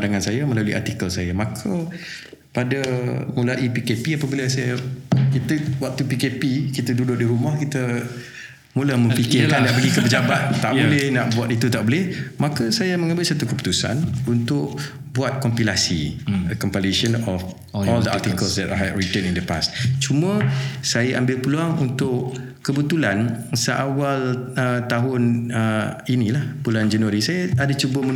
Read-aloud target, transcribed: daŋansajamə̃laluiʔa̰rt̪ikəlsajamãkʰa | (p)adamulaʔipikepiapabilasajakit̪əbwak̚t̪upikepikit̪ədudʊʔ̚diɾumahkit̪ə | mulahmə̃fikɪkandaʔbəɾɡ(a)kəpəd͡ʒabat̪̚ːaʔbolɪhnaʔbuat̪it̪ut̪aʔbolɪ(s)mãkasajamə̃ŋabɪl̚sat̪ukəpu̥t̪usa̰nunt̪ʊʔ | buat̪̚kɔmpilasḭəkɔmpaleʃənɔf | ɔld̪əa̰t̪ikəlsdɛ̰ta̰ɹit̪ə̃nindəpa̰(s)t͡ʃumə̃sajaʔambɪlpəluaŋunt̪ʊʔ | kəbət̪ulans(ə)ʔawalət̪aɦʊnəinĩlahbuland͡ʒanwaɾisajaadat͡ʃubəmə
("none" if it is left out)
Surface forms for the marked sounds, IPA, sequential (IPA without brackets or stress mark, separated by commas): p, i, h, s, ə